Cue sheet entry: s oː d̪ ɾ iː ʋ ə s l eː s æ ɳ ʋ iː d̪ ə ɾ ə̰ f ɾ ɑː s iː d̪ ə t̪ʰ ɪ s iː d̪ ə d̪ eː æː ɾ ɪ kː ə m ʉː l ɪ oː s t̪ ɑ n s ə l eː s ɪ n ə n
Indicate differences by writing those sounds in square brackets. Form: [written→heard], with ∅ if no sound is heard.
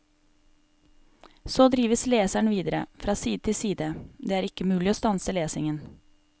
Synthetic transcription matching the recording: s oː d̪ ɾ iː ʋ ə s l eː s æ ɳ ʋ iː d̪ ə ɾ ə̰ f ɾ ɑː s iː d̪ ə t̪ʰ ɪ s iː d̪ ə d̪ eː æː ɾ ɪ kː ə m ʉː l ɪ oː s t̪ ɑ n s ə l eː s ɪ [n→ŋ] ə n

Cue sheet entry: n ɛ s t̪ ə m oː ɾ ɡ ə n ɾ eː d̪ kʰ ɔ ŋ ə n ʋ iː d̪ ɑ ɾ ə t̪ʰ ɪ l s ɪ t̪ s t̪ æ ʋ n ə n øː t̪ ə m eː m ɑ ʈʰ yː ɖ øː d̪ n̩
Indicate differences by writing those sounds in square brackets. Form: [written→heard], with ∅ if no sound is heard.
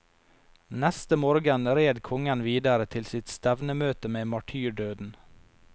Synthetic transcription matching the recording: n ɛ s t̪ ə m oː ɾ ɡ ə n ɾ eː d̪ kʰ ɔ ŋ ə n ʋ iː d̪ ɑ ɾ ə t̪ʰ ɪ l s ɪ t̪ s t̪ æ ʋ n ə [n→m] øː t̪ ə m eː m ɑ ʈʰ yː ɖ øː d̪ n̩

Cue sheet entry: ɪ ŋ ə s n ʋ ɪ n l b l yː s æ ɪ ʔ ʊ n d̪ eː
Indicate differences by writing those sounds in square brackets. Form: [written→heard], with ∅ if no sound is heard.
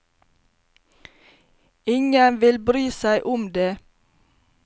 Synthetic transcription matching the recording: ɪ ŋ ə [s→∅] n ʋ ɪ [n→∅] l b [l→ɾ] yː s æ ɪ ʔ ʊ [n→m] d̪ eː

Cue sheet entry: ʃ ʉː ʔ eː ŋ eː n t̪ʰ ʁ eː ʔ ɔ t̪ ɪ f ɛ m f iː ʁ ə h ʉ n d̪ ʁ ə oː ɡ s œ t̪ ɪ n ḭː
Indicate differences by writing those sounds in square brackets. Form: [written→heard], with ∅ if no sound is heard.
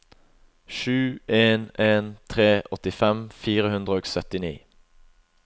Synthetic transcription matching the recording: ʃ ʉː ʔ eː [ŋ→n] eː n t̪ʰ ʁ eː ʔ ɔ t̪ ɪ f ɛ m f iː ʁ ə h ʉ n d̪ ʁ ə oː ɡ s œ t̪ ɪ n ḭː

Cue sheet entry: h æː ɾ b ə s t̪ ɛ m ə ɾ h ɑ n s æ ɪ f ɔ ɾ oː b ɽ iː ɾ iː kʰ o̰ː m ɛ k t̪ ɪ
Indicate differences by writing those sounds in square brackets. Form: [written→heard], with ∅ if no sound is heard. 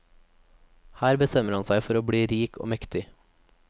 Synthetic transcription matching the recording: h æː ɾ b ə s t̪ ɛ m ə ɾ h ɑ n s æ ɪ f ɔ ɾ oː b ɽ iː ɾ iː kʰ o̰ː m ɛ k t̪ ɪ

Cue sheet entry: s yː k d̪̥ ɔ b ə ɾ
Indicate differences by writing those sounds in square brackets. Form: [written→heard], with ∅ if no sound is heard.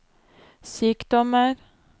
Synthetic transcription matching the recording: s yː k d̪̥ ɔ [b→m] ə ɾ

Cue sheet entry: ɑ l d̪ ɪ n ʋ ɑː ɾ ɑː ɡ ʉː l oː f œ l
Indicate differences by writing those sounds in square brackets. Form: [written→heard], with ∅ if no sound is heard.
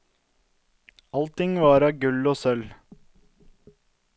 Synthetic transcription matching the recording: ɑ l [d̪→t̪] ɪ [n→ŋ] ʋ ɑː ɾ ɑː ɡ [ʉː→ʉ] l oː [f→s] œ l

